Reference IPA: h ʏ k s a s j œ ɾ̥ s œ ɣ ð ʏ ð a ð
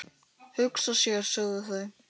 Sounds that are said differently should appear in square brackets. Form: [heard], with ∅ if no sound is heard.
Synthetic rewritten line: h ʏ k s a s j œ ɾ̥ s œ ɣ ð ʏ [θ] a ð